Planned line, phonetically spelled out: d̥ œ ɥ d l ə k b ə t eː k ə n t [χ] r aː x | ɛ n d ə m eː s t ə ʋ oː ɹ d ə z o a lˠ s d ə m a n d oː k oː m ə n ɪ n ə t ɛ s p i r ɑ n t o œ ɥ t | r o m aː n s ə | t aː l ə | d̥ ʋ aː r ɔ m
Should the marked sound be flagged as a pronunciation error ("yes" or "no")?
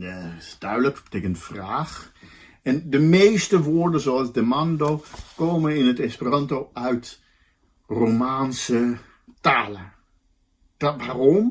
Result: yes